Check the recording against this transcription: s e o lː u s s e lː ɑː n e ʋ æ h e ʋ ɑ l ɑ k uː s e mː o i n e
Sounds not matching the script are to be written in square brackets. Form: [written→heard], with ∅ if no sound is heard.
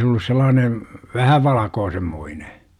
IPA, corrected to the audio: s e o lː u s s e lː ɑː n e ʋ æ h [e→æ] ʋ ɑ l ɑ k [uː→oː] s e mː o i n e